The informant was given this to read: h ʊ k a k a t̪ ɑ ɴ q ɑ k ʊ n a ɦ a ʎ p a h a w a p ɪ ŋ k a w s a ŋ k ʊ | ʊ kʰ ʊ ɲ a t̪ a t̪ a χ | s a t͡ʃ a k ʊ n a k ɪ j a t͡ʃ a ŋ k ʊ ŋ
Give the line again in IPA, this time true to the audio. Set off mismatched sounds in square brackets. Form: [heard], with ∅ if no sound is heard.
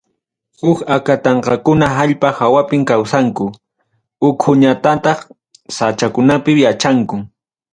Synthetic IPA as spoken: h ʊ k a k a t̪ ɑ ɴ q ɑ k ʊ n a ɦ a ʎ p a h a w a p ɪ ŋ k a w s a ŋ k ʊ | ʊ kʰ ʊ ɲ a t̪ a t̪ [ɑ] χ | s a t͡ʃ a k ʊ n a [p] ɪ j a t͡ʃ a ŋ k ʊ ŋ